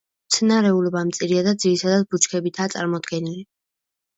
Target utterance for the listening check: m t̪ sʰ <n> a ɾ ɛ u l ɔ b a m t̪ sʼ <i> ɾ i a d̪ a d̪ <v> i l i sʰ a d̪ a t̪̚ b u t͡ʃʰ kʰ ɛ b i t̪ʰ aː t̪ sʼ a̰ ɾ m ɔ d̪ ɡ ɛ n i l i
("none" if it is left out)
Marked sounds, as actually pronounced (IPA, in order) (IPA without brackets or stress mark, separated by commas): n, i, z